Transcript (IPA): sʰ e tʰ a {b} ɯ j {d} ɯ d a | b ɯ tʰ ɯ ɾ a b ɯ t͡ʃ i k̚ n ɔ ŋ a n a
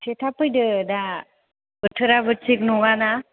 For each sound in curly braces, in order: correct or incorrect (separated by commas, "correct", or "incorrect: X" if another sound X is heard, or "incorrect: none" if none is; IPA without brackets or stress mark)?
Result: incorrect: p, correct